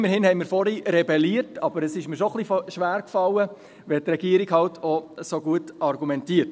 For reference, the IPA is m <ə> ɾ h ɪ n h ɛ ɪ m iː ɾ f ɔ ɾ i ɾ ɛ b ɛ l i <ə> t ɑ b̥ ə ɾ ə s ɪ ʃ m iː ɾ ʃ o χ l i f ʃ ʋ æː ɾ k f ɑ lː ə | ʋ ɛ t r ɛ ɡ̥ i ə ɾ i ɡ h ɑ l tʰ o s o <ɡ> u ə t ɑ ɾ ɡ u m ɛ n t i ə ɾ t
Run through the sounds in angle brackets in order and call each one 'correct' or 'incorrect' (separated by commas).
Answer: correct, correct, correct